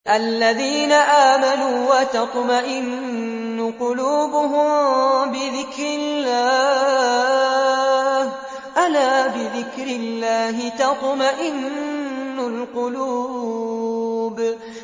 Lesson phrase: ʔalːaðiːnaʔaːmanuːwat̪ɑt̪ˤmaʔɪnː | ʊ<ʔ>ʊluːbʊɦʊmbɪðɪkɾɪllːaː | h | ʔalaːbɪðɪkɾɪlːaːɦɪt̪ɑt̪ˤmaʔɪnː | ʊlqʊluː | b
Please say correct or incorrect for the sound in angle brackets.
incorrect